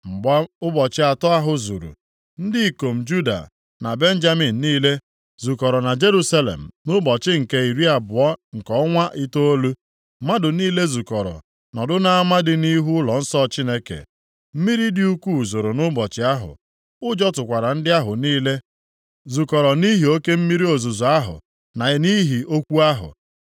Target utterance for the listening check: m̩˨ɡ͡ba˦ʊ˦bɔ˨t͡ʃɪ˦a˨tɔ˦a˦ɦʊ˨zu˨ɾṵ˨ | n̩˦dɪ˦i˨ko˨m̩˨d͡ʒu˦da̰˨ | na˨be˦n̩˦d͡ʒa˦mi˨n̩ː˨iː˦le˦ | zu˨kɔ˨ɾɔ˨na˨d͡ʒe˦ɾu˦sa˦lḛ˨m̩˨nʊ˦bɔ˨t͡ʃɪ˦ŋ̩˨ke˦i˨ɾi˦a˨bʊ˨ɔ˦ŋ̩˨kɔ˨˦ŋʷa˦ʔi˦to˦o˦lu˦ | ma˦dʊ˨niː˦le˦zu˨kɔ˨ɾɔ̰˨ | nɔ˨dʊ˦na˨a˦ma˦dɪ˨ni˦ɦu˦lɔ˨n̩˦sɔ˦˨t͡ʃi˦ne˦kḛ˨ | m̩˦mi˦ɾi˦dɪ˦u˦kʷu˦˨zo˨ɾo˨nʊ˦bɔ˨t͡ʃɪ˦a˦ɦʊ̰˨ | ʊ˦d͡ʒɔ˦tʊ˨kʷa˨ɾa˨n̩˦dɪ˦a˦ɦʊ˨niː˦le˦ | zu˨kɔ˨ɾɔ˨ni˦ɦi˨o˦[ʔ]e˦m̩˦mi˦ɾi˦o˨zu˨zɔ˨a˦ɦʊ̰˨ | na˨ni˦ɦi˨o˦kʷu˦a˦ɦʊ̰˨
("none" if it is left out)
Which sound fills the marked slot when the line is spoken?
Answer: k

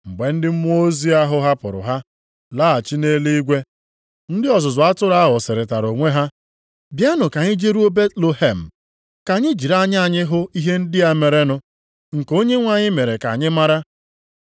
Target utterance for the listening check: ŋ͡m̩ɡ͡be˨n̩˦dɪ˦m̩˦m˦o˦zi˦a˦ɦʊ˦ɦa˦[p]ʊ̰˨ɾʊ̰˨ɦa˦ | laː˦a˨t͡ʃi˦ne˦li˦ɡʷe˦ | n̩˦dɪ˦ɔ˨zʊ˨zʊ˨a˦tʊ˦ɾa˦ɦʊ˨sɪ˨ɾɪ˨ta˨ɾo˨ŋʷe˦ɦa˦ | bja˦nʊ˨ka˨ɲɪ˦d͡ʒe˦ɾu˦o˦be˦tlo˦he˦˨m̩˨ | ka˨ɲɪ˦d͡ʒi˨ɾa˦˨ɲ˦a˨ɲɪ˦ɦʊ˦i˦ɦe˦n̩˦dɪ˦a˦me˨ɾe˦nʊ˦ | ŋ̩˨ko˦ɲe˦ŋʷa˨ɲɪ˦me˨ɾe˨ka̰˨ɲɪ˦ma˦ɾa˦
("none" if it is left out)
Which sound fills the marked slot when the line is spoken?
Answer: p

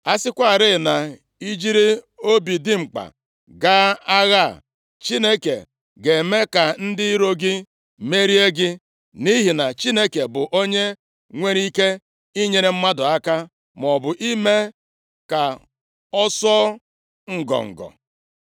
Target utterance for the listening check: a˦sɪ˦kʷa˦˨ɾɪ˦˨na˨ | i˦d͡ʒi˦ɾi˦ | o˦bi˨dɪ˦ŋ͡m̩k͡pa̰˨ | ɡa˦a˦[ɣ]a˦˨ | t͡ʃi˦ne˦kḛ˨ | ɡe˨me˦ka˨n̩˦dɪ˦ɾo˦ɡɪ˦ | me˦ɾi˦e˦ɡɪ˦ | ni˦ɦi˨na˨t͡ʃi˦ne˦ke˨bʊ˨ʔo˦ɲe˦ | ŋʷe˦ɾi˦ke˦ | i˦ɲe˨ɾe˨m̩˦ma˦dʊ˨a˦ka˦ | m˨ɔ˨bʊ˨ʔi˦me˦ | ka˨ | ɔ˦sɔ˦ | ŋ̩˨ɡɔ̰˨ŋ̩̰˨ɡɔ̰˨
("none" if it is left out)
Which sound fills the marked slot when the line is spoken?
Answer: ɣ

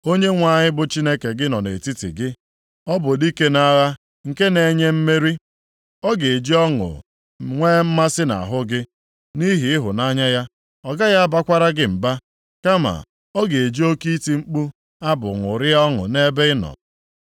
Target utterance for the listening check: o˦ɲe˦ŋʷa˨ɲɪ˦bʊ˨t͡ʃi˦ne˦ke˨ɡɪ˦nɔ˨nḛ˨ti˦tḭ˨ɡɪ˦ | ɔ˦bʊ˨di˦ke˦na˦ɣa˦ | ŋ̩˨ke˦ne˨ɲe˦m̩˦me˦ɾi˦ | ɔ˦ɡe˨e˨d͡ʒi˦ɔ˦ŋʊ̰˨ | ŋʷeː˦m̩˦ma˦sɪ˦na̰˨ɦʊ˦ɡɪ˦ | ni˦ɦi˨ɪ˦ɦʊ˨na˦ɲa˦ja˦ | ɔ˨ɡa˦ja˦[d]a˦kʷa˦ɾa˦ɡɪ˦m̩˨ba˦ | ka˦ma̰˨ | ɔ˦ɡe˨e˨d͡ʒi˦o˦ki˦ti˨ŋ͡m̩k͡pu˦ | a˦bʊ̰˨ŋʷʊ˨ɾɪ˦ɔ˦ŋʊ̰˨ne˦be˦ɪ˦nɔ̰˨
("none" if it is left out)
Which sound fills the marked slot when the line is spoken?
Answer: b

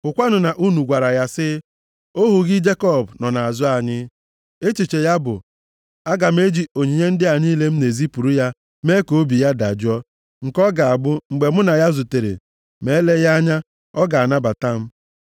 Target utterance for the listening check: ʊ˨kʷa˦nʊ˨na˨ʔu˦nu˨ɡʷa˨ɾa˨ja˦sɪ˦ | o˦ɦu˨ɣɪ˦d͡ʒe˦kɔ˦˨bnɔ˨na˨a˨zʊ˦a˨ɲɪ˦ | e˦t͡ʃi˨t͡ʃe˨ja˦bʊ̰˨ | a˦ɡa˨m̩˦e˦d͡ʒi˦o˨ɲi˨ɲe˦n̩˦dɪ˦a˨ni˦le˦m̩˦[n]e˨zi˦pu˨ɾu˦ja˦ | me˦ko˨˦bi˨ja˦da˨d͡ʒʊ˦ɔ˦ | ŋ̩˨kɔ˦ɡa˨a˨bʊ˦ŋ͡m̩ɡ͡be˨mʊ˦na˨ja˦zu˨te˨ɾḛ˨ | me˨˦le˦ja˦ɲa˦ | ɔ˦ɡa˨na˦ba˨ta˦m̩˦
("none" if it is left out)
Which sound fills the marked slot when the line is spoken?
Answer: n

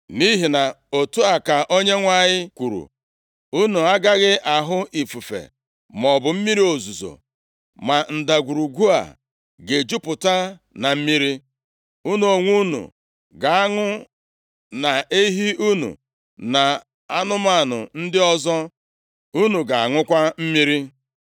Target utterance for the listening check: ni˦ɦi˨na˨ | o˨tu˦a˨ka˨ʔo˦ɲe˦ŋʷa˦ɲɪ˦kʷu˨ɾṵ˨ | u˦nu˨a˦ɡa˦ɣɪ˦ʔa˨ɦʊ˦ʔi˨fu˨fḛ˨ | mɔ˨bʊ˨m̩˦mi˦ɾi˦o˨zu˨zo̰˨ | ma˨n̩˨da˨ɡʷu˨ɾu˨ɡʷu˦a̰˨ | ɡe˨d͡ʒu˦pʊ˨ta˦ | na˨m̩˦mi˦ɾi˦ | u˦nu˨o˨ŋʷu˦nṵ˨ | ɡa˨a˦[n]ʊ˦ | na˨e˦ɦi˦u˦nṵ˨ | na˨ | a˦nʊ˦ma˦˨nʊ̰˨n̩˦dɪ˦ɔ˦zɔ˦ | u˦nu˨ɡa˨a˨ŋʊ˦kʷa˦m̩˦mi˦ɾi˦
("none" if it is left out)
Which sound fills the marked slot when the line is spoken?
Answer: ŋ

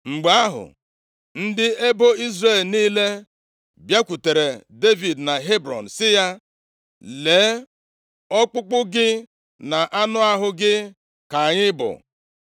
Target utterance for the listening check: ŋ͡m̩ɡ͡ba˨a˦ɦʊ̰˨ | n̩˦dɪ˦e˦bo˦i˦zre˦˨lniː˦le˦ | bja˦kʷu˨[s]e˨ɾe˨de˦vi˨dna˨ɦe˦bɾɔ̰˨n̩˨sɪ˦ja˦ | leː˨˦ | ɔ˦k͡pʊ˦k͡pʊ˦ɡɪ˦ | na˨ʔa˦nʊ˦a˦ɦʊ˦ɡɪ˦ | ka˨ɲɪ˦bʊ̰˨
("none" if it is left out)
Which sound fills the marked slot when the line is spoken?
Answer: t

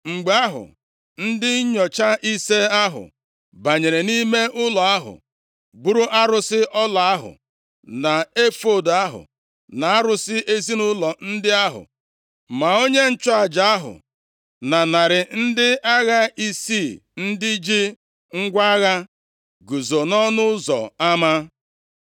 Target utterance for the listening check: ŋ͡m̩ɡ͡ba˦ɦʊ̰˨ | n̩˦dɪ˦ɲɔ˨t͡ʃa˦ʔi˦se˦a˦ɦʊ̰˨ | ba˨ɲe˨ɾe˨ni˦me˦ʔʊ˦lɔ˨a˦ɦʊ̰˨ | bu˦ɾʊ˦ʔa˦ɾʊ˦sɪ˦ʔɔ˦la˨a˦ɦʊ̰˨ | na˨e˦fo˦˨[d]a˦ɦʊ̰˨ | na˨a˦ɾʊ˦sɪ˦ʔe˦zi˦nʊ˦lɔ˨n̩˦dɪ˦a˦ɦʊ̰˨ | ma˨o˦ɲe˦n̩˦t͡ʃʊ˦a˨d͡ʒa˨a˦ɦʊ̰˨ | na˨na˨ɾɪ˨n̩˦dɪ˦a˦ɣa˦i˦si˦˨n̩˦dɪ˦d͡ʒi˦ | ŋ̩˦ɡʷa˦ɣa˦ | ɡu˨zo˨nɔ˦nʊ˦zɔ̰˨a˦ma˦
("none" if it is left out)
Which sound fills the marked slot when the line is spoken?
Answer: d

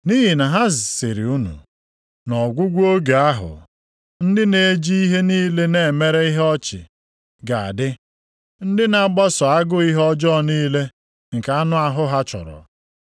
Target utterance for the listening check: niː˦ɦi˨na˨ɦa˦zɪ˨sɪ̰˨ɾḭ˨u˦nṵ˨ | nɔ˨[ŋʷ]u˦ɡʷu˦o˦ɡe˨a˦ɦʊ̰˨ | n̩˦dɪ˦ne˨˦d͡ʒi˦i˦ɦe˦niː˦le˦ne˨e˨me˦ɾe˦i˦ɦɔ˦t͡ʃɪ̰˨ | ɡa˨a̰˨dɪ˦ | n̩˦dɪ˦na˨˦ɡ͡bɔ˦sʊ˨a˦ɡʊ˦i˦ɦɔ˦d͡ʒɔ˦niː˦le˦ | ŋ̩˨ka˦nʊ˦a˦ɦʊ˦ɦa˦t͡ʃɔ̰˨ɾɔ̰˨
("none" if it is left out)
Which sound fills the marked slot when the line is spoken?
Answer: ɡʷ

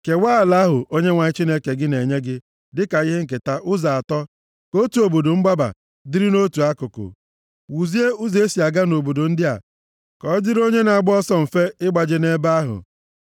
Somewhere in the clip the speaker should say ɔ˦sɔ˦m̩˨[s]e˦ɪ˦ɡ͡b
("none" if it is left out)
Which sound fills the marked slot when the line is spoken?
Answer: f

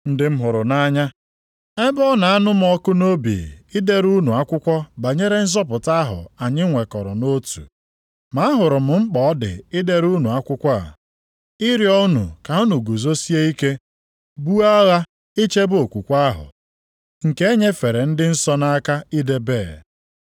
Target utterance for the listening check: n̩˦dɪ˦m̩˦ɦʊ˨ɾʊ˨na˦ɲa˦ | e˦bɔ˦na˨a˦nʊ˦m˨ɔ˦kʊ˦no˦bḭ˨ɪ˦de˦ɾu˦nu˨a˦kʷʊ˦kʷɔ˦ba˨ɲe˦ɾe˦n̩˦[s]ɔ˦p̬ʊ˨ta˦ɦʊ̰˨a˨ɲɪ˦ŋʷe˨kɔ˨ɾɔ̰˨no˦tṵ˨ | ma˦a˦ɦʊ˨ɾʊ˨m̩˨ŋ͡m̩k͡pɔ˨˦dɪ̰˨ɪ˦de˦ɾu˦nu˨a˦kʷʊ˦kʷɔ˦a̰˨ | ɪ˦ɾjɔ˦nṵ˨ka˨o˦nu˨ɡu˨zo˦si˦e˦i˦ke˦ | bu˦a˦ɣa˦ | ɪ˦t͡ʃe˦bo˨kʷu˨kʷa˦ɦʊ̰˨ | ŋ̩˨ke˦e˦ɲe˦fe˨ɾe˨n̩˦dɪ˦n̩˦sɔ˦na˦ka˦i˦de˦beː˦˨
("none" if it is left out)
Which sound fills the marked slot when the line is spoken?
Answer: z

